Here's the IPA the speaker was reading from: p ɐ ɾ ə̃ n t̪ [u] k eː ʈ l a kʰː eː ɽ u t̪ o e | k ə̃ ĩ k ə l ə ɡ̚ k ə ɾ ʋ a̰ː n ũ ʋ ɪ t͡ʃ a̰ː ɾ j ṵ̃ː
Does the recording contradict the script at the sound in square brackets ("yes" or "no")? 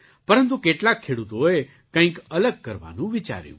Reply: no